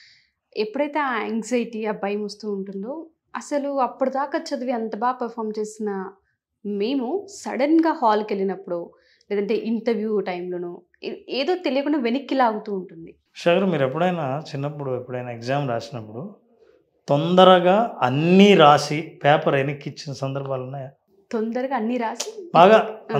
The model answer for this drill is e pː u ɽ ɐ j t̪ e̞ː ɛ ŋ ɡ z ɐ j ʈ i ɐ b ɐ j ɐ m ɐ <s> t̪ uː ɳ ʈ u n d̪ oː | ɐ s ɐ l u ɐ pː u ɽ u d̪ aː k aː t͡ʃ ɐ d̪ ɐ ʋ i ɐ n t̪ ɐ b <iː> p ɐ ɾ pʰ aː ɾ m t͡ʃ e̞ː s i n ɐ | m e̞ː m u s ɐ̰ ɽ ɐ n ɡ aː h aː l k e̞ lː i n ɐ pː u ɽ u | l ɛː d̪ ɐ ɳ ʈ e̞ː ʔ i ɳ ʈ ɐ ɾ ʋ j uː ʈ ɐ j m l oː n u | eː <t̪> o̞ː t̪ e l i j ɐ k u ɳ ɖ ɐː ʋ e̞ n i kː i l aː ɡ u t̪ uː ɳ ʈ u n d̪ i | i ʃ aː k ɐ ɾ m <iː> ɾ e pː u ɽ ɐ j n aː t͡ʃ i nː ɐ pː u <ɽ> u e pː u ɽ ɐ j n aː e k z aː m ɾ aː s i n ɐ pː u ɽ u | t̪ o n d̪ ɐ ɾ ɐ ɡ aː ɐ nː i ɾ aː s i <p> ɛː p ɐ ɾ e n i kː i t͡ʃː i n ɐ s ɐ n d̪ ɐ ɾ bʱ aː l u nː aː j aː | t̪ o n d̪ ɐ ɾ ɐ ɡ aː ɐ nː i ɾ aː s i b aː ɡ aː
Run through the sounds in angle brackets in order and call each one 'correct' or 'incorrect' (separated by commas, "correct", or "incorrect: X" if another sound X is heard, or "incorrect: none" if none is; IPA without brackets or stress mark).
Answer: correct, incorrect: aː, incorrect: d̪, correct, correct, correct